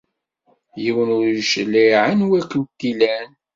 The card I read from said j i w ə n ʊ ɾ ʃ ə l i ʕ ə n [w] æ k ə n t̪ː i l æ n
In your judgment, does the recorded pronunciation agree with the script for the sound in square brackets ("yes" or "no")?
yes